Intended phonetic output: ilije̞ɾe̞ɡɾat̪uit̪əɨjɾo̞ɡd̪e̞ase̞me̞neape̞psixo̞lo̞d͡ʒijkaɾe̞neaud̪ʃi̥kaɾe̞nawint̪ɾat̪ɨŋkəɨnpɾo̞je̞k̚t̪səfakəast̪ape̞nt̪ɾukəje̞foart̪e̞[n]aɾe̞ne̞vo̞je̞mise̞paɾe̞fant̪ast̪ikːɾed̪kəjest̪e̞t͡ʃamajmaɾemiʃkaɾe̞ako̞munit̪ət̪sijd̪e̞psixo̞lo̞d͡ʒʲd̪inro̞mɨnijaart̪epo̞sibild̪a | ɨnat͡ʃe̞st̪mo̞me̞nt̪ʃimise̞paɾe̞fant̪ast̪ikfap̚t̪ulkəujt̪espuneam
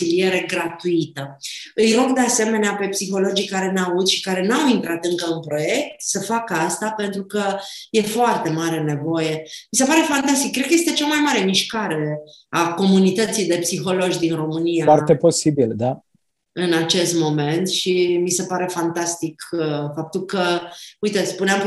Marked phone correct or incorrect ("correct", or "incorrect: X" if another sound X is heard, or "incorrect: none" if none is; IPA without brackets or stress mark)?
incorrect: m